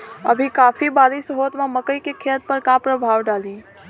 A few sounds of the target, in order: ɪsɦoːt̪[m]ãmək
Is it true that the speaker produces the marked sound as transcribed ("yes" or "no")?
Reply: yes